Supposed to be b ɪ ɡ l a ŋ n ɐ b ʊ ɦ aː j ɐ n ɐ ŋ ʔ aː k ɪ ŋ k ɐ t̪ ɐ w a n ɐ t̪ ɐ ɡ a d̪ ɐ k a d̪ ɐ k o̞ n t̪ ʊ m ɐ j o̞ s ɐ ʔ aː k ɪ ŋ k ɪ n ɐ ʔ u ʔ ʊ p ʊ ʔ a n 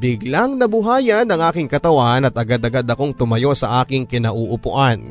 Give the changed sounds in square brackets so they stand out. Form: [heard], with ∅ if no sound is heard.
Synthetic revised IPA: b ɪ ɡ l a ŋ n ɐ b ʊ ɦ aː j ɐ n ɐ ŋ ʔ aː k ɪ ŋ k ɐ t̪ ɐ w a n ɐ t̪ ɐ ɡ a d̪ ɐ [ɡ] a d̪ ɐ k o̞ [ŋ] t̪ ʊ m ɐ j o̞ s ɐ ʔ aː k ɪ ŋ k ɪ n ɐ ʔ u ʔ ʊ p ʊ ʔ a n